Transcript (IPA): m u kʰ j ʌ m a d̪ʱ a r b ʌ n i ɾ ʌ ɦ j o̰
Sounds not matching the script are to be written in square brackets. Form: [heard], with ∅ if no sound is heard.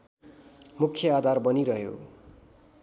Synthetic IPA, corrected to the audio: m u kʰ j ʌ [∅] a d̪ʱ a r b ʌ n i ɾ ʌ ɦ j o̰